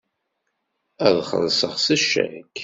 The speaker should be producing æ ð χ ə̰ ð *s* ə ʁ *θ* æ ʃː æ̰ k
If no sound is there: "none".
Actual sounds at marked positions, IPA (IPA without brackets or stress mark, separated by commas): s, s